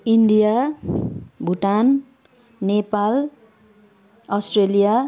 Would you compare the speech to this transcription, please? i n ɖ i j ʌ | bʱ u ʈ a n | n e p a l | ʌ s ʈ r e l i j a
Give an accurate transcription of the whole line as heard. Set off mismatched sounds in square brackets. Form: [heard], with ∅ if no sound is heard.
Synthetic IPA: i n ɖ i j [a] | bʱ u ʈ a n | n e p a l | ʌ s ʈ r e l i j a